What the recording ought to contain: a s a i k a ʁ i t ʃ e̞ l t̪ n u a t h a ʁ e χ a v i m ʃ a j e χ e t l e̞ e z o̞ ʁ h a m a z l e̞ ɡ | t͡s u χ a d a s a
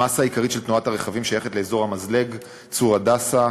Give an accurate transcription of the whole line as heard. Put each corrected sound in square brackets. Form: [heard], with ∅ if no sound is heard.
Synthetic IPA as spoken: a s a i k a ʁ i t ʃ e̞ l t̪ n u a t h a ʁ e χ a v i m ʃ a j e χ e t l e̞ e z o̞ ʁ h a m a z l e̞ ɡ | t͡s u [ʁ] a d a s a

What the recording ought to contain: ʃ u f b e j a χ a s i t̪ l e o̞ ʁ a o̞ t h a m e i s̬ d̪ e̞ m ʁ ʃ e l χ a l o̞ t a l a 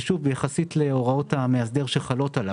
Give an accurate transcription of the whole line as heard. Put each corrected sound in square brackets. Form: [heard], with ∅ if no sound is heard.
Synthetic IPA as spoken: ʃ u [v] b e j a χ a s i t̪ l e o̞ ʁ a o̞ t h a m e [a] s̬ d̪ e̞ [∅] ʁ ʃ e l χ a l o̞ t a l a

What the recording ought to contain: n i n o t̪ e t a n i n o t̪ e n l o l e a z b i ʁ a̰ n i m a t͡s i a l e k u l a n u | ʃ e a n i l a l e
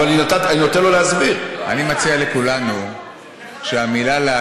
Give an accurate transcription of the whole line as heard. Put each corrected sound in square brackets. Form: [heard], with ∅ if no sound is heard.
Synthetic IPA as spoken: n i n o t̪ [a] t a n i n o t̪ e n l o l e a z b i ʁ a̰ n i m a t͡s i a l e k u l a n u | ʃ e a [m] i l a l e

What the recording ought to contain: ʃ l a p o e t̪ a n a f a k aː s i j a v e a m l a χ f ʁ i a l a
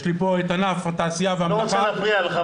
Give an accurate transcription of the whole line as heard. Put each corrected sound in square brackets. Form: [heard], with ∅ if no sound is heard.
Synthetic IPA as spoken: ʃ l [i] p o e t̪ a n a f a [t] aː s i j a v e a m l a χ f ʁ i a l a

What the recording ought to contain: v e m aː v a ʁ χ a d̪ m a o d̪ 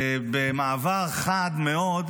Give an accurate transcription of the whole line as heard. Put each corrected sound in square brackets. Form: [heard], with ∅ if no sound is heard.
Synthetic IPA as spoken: [b] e m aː v a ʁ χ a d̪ m [e] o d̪

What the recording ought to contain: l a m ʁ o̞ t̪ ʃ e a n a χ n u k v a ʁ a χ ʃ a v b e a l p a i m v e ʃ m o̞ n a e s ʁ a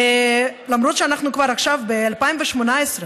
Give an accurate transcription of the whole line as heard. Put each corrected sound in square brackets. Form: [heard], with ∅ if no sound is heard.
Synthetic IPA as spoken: l a m ʁ o̞ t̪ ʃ e a n a χ n u k v a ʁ a χ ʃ a v b e a l p a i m v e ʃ m o̞ n a e s ʁ [e]

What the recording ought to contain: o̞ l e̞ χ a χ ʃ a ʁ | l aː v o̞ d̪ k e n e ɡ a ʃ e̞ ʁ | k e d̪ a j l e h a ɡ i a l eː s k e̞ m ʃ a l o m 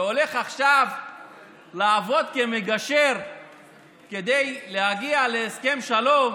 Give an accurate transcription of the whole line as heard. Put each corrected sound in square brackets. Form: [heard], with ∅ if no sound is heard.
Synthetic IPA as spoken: o̞ l e̞ χ a χ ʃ a [v] | l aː v o̞ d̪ k e [m] e ɡ a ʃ e̞ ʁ | k e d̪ [e] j l e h a ɡ i a l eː s k e̞ m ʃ a l o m

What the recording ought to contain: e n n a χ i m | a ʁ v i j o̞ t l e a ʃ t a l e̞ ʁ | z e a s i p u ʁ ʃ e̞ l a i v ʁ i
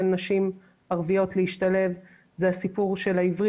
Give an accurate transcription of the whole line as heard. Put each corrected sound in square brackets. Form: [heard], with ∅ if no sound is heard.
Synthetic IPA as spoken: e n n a [ʃ] i m | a ʁ v i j o̞ t l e [i] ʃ t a l e̞ [v] | z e a s i p u ʁ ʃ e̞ l a i v ʁ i

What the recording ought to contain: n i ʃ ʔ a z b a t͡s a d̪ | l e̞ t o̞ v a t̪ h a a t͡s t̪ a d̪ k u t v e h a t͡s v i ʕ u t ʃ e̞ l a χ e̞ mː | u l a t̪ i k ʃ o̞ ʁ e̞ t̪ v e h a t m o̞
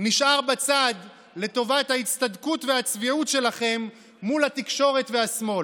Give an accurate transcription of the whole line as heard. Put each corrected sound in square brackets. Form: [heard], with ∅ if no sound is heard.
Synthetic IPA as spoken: n i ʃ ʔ a [ʁ] b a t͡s a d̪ | l e̞ t o̞ v a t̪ h a [i] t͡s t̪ a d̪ k u t v e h a t͡s v i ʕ u t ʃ e̞ l a χ e̞ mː | u l a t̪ i k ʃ o̞ ʁ e̞ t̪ v e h a [s] m o̞

